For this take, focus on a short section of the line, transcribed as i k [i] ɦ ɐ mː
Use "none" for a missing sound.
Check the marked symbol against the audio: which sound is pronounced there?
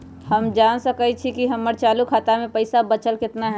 i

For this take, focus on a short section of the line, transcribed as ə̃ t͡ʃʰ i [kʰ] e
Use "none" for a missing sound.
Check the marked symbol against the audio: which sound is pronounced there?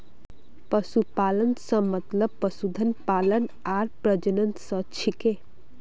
k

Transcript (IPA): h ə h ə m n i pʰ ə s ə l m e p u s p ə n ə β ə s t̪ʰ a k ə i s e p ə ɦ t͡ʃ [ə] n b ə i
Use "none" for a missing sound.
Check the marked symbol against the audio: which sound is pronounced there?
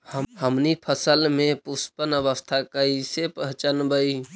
ə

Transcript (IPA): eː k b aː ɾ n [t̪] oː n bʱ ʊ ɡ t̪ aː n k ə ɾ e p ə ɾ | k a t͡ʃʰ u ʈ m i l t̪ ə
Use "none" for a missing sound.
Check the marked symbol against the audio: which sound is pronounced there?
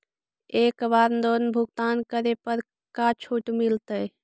d̪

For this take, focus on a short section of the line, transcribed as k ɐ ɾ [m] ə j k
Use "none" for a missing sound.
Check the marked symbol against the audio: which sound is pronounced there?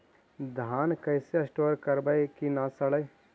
b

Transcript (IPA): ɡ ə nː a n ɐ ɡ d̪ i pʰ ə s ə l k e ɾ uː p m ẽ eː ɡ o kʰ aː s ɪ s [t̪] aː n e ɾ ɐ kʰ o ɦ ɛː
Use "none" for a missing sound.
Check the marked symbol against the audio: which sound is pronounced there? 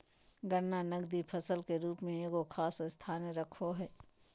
t̪ʰ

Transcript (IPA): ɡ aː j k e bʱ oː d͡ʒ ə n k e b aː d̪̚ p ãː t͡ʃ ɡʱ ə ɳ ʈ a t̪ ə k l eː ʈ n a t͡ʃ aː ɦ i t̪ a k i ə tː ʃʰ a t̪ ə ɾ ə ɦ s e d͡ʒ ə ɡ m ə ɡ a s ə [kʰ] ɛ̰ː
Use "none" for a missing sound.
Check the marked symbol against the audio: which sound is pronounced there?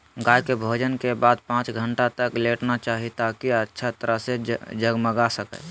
k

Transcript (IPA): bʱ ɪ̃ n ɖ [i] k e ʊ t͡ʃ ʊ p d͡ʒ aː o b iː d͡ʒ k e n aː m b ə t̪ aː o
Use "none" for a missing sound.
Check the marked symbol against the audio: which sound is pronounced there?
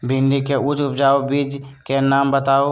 i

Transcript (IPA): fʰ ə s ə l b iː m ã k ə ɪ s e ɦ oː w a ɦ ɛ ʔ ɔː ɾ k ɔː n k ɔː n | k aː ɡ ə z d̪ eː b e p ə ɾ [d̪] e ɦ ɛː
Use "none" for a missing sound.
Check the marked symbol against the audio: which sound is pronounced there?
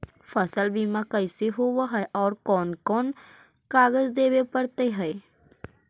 t̪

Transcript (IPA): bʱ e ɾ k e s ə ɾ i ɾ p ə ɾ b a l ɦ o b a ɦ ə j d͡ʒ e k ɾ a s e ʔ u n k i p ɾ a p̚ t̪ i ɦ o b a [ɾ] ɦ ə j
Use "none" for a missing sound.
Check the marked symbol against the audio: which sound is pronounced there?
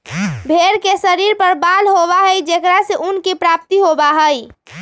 none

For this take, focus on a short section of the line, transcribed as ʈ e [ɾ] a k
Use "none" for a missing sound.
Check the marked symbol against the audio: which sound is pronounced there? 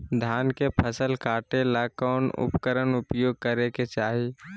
l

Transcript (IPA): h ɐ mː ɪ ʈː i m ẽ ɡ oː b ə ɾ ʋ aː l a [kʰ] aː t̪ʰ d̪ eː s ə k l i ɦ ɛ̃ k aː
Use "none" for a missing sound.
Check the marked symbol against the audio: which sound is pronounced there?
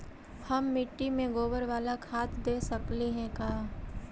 kʰ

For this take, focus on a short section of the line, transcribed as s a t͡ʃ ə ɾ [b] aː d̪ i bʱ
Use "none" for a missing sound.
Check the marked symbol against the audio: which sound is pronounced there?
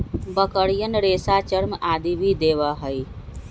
m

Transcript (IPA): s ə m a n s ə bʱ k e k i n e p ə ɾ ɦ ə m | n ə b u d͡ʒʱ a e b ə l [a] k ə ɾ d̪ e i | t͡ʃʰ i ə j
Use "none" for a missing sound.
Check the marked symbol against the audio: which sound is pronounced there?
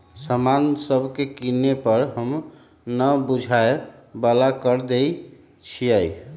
a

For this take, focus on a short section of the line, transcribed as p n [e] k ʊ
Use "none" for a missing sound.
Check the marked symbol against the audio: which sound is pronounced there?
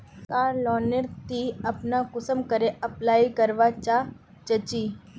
a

